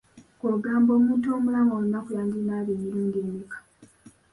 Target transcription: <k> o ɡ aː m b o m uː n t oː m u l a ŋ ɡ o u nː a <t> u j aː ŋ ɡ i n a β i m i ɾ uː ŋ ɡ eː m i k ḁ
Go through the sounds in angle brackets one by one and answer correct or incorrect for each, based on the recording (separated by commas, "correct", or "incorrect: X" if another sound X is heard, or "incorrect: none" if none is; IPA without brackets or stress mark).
correct, incorrect: k